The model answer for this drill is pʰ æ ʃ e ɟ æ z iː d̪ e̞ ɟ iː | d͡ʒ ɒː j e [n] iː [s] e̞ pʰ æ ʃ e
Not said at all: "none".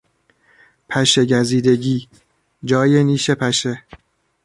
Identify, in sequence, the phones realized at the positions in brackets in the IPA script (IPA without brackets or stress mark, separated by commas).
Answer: n, ʃ